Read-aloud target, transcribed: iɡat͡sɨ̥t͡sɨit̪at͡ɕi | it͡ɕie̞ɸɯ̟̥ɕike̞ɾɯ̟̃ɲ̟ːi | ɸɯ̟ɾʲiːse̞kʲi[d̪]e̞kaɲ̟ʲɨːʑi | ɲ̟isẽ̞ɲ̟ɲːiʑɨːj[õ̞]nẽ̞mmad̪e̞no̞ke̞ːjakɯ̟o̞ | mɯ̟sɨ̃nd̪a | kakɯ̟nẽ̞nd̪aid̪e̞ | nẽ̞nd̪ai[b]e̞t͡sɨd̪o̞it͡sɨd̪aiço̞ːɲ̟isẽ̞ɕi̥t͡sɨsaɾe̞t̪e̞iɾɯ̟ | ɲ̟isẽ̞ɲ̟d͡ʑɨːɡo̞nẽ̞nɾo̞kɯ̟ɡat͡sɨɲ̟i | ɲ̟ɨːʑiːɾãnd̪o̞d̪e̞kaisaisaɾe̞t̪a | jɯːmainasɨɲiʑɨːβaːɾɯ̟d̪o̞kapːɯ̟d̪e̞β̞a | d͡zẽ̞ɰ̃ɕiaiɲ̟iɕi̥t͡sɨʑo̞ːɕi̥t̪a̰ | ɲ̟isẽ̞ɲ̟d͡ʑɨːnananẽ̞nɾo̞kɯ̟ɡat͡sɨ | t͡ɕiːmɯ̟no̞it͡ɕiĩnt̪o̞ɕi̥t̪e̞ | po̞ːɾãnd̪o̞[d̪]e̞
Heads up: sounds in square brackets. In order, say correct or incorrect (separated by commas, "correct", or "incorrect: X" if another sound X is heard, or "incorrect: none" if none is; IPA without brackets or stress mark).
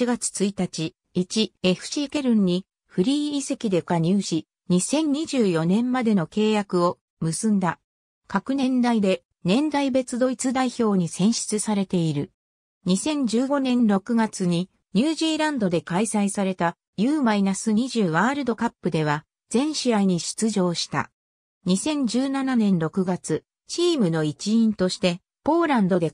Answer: correct, incorrect: o̞, correct, correct